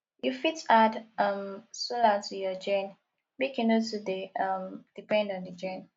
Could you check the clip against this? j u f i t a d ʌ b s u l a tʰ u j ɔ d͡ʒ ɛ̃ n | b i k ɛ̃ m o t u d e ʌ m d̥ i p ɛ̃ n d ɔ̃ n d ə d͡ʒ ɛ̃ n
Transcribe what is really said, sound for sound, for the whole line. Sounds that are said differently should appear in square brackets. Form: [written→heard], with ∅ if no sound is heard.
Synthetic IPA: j u f i t a d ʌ [b→m] s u l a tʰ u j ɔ d͡ʒ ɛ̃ n | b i k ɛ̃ [m→n] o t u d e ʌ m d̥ i p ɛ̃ n d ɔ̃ n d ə d͡ʒ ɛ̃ n